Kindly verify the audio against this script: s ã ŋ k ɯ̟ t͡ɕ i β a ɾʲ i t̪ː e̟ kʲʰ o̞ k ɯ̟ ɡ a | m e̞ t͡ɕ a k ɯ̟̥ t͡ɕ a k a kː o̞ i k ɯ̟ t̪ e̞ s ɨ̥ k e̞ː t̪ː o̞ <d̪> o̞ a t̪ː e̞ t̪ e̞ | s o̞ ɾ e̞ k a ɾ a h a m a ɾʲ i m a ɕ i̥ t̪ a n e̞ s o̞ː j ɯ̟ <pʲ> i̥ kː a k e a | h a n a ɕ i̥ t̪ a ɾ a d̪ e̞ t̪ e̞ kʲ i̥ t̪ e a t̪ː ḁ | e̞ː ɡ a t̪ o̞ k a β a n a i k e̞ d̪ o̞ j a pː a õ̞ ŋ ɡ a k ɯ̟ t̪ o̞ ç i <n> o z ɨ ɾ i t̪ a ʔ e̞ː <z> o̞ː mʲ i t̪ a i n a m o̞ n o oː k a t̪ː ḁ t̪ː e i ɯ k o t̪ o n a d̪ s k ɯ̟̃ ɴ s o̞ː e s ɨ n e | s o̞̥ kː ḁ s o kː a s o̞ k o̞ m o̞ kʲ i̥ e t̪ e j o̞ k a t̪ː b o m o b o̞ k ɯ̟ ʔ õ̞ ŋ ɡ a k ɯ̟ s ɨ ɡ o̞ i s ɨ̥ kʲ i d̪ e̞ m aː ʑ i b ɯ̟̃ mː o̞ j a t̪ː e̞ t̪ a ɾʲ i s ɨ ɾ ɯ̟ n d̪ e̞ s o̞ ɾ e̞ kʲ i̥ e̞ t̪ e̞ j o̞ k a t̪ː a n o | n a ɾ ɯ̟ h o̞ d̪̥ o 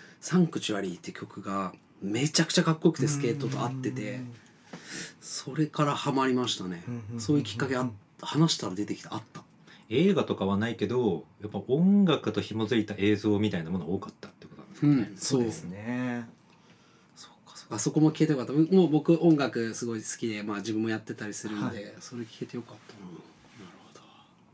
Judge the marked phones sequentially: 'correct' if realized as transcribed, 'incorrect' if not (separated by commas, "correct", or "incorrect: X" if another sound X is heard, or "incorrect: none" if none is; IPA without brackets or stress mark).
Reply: incorrect: t̪, incorrect: kʲ, incorrect: m, correct